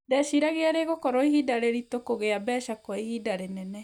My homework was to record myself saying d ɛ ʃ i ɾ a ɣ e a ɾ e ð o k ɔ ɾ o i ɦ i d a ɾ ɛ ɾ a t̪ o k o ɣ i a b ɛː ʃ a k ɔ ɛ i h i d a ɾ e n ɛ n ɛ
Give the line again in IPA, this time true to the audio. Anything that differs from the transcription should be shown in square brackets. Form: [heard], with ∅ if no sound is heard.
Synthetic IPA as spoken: d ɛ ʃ i ɾ a ɣ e a ɾ e [ɣ] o k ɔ ɾ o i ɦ i d a ɾ [e] ɾ [i] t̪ o k o ɣ [e] a b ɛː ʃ a k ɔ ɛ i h i d a ɾ e n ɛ n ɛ